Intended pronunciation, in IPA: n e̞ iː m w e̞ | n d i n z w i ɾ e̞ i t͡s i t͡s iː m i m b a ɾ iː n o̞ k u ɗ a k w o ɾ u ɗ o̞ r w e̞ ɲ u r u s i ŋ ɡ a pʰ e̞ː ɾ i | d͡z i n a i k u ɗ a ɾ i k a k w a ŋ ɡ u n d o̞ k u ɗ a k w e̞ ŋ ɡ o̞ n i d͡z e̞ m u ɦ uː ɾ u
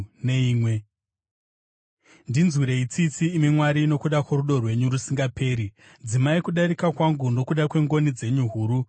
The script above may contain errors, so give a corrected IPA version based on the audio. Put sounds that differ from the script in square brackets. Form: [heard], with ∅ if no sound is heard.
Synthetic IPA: n e̞ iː m w e̞ | n d i n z w i ɾ e̞ i t͡s i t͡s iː m i m [w] a ɾ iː n o̞ k u ɗ a k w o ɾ u ɗ o̞ r w e̞ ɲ u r u s i ŋ ɡ a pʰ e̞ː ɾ i | d͡z i [m] a i k u ɗ a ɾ i k a k w a ŋ ɡ u n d o̞ k u ɗ a k w e̞ ŋ ɡ o̞ n i d͡z e̞ [ɲ] u ɦ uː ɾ u